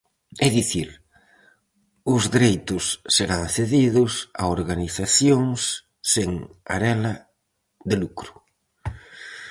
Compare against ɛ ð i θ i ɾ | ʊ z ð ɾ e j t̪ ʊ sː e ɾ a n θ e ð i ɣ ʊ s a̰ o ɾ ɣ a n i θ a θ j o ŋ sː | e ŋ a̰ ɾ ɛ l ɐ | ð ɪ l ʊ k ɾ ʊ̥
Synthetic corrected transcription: ɛ ð i θ i ɾ | ʊ z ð ɾ e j t̪ ʊ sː e ɾ a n θ e ð i ð ʊ s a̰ o ɾ ɣ a n i θ a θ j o ŋ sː | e ŋ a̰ ɾ ɛ l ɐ | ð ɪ l u k ɾ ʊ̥